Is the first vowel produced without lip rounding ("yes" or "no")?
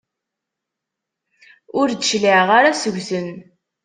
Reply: no